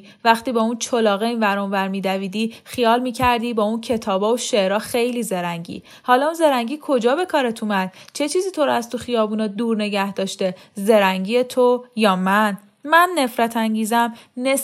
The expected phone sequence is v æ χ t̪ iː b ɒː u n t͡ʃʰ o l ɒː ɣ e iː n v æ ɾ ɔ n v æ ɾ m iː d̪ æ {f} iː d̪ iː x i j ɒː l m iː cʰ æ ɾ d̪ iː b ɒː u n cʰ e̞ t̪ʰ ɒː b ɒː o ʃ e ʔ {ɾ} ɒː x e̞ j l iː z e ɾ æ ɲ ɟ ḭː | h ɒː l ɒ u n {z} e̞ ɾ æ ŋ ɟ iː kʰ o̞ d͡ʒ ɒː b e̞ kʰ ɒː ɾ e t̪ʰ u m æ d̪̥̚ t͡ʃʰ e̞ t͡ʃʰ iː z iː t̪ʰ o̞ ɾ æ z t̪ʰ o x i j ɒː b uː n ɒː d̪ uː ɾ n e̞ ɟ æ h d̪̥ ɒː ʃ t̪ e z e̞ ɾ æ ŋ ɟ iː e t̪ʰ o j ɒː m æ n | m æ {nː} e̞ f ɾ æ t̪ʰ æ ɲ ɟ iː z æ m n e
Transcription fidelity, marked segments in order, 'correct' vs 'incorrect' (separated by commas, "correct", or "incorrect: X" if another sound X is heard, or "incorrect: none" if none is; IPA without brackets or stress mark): incorrect: v, correct, correct, correct